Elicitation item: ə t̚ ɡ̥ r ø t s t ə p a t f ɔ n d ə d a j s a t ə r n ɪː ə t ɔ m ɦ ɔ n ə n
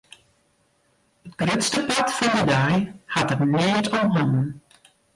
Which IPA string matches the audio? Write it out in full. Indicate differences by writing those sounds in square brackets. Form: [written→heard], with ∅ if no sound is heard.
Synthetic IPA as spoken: ə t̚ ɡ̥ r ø t s t ə p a t f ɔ n d ə d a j [s→h] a t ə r n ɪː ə t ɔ m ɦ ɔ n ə n